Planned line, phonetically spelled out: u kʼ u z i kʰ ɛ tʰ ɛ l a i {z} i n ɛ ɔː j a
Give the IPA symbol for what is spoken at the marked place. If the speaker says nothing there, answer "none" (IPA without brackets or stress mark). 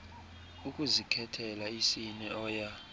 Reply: s